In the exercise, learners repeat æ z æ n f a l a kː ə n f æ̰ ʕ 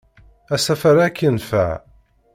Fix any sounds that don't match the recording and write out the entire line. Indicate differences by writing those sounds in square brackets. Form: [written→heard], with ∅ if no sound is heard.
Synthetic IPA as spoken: æ [z→s] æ [n→∅] f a [l→ɾ] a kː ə n f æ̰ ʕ